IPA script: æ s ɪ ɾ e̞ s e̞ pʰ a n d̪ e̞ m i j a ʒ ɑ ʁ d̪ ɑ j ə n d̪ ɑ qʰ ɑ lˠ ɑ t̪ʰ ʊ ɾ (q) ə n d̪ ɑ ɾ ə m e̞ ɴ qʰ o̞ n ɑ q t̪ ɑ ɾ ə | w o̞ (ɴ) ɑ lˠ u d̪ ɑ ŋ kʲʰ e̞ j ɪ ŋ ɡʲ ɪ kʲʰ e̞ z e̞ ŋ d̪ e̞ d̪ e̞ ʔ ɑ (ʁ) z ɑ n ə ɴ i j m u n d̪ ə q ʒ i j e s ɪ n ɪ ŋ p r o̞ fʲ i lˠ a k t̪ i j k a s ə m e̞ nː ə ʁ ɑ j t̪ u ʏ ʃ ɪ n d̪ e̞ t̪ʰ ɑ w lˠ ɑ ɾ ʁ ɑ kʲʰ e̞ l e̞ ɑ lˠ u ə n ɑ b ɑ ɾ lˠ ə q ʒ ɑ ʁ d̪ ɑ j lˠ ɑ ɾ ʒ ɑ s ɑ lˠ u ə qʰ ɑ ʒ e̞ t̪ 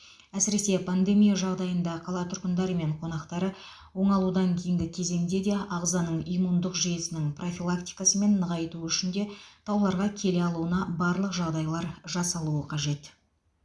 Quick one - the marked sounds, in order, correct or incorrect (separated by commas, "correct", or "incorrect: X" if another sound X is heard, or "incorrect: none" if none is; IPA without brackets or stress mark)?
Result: correct, correct, correct